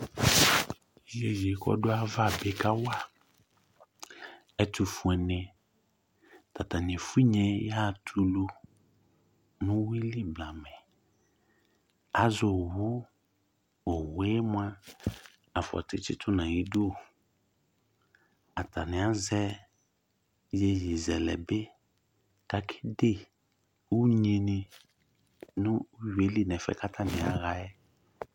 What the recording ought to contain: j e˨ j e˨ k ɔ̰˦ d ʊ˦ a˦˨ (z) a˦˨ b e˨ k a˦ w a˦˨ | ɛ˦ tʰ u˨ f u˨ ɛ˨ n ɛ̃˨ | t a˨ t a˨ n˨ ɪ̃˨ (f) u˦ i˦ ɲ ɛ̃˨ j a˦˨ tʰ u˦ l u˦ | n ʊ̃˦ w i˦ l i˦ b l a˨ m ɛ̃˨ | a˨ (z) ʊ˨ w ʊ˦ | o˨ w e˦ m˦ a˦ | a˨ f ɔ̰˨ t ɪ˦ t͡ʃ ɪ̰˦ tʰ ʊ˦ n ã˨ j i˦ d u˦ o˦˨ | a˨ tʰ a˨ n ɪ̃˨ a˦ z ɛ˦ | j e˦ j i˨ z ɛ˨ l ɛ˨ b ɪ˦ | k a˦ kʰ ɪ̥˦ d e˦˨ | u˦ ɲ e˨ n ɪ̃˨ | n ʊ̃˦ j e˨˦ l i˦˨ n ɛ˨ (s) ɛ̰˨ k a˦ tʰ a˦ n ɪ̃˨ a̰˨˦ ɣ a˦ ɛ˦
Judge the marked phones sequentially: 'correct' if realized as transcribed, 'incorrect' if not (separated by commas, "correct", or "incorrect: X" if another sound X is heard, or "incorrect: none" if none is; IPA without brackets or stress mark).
incorrect: v, correct, correct, incorrect: f